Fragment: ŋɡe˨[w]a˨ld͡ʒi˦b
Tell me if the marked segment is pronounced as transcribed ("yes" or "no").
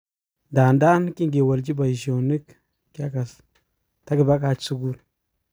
yes